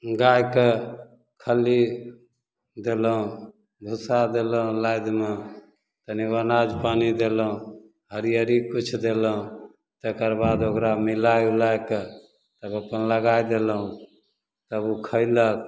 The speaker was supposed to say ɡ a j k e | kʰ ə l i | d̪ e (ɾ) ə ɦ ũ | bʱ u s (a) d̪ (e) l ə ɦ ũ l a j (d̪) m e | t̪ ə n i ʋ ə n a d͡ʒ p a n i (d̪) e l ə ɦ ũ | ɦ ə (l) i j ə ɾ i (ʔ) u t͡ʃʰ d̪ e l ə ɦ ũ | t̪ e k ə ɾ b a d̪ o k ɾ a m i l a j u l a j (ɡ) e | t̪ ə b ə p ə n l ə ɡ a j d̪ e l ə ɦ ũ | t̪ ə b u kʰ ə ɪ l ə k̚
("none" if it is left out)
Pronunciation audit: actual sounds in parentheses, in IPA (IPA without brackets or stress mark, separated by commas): l, a, e, d̪, d̪, ɾ, k, k